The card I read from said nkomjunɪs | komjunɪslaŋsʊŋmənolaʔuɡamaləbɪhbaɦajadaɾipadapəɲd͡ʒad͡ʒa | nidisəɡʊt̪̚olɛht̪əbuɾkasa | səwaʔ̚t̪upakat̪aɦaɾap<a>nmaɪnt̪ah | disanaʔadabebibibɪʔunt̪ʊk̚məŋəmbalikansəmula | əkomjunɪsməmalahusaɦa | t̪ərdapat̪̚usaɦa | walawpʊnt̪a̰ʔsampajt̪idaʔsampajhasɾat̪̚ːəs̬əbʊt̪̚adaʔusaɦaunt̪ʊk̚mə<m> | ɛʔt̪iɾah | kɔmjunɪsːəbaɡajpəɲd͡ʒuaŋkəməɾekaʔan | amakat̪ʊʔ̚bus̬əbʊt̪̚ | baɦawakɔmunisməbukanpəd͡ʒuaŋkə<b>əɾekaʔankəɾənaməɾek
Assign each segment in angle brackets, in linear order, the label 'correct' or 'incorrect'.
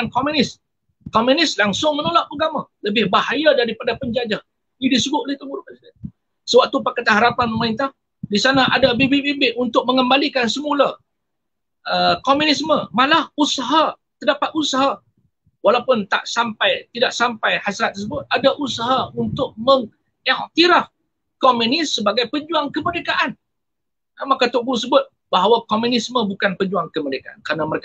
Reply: correct, incorrect: ŋ, incorrect: m

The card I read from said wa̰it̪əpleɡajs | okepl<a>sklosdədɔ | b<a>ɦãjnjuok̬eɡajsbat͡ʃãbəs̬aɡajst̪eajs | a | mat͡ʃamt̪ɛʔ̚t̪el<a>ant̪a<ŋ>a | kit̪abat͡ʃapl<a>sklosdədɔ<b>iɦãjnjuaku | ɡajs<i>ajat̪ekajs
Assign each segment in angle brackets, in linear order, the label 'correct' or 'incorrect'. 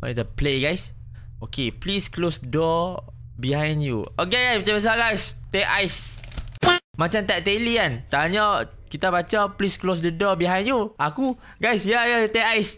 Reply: incorrect: i, incorrect: i, incorrect: i, incorrect: ɲ, incorrect: i, correct, incorrect: j

